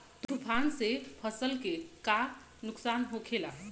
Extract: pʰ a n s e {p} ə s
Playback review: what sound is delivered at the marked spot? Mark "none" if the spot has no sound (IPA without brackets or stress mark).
pʰ